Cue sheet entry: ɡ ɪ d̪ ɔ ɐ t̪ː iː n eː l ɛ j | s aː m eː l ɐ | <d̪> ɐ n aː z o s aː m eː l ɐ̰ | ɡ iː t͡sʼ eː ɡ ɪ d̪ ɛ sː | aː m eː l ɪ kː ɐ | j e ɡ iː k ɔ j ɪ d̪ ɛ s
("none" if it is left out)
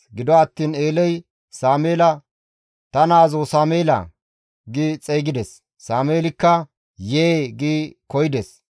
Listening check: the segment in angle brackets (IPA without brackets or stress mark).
t̪